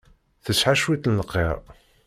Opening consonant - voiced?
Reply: no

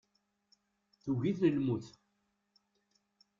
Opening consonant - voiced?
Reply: no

